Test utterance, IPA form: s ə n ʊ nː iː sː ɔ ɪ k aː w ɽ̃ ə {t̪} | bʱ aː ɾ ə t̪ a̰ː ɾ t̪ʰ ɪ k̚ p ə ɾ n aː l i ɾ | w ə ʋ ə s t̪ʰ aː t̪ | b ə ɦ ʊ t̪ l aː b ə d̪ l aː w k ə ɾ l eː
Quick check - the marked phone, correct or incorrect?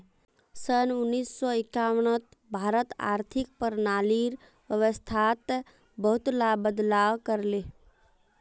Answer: correct